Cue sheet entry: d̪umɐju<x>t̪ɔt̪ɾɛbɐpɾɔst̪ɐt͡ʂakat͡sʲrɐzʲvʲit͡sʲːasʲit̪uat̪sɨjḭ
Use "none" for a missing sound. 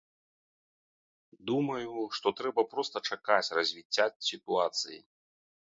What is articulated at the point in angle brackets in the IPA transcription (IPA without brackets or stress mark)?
ʂ